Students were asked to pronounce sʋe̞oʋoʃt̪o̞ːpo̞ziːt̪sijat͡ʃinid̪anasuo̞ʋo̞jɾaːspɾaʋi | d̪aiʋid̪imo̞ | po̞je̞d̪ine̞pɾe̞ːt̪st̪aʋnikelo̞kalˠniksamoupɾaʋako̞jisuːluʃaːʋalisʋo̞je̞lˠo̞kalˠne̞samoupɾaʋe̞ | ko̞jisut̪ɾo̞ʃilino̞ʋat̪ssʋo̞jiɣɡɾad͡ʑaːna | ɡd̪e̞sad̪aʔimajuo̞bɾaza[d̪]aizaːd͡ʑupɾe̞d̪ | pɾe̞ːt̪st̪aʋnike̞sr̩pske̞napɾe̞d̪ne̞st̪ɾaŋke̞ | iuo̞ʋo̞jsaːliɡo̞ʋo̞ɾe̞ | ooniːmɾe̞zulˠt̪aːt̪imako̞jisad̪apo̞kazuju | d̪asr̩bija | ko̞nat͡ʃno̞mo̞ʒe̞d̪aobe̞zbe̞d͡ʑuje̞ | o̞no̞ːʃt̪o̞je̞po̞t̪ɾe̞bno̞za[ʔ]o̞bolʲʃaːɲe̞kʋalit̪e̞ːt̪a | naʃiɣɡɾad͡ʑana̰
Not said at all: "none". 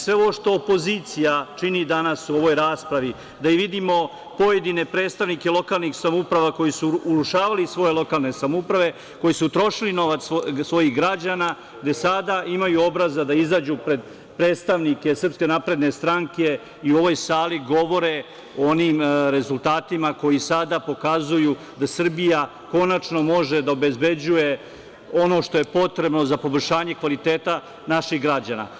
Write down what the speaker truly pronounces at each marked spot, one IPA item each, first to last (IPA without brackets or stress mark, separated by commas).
d̪, p